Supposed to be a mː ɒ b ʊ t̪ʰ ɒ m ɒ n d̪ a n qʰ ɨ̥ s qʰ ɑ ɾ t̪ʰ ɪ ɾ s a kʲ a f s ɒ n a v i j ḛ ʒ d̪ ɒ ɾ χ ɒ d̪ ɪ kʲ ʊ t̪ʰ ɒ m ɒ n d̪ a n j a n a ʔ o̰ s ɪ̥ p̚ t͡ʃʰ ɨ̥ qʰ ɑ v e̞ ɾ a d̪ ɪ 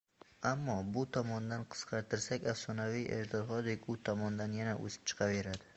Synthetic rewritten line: a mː ɒ b ʊ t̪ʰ ɒ m ɒ n d̪ a n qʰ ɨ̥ s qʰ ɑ ɾ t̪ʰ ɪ ɾ s a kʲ a f s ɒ n a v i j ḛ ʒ d̪ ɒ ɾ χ ɒ d̪ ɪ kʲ ʊ t̪ʰ ɒ m ɒ n d̪ a n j a n a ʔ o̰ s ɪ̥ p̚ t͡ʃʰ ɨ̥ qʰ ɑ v e̞ ɾ a d̪ ɪ

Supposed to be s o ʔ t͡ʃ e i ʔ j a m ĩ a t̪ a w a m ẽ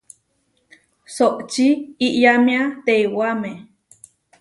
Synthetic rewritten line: s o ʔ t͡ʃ i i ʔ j a m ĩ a t̪ e w a m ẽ

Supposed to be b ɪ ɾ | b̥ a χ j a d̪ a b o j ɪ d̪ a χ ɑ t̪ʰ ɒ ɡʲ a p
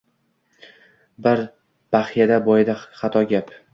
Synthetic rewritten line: b ɪ ɾ | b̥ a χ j a d̪ a b ɒ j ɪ d̪ a χ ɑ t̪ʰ ɒ ɡʲ a p

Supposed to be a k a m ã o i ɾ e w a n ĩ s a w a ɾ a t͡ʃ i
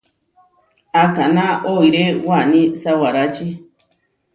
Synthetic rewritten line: a k a n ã o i ɾ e w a n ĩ s a w a ɾ a t͡ʃ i

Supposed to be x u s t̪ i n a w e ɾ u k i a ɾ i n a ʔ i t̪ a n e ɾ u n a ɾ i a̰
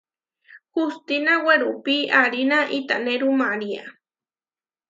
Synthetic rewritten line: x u s t̪ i n a w e ɾ u p i a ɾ i n a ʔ i t̪ a n e ɾ u m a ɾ i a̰

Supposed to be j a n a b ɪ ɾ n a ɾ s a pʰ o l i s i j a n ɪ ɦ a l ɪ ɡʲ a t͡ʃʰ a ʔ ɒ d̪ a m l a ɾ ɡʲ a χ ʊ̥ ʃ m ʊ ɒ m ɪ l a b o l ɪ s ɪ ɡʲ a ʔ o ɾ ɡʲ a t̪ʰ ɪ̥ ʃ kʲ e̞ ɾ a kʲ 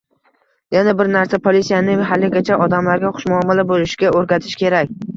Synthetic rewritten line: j a n a b ɪ ɾ n a ɾ s a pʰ o l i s i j a n ɪ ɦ a l ɪ ɡʲ a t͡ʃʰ a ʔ ɒ d̪ a m l a ɾ ɡʲ a χ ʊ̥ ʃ m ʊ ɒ m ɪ l a b o l ɪ ʃ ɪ ɡʲ a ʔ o ɾ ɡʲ a t̪ʰ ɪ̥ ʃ kʲ e̞ ɾ a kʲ

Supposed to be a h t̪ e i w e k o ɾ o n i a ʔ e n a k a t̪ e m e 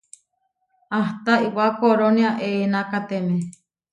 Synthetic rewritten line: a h t̪ a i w a k o ɾ o n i a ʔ e n a k a t̪ e m e

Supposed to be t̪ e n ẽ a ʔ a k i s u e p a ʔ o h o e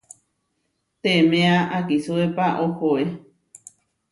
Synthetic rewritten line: t̪ e m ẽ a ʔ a k i s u e p a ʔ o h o e

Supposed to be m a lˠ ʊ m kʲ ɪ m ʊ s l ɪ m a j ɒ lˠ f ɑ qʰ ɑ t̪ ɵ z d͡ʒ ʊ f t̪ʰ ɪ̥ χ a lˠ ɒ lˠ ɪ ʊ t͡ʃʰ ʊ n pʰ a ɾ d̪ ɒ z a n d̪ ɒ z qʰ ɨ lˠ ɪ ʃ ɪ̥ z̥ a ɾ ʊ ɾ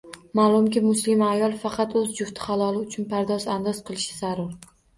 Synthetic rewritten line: m a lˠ ʊ m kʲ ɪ m ʊ s l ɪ m a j ɒ lˠ f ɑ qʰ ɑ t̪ ɵ z d͡ʒ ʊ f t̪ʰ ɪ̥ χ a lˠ ɒ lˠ ɪ ʊ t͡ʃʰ ʊ n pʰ a ɾ d̪ ɒ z a n d̪ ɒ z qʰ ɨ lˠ ɪ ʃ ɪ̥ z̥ a ɾ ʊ ɾ

